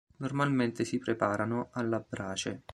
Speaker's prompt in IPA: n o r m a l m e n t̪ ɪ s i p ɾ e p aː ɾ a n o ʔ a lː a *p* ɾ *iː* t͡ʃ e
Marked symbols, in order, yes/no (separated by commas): no, no